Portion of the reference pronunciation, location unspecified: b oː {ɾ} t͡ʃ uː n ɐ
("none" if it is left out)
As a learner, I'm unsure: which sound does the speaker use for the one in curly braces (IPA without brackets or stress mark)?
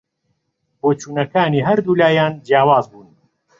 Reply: none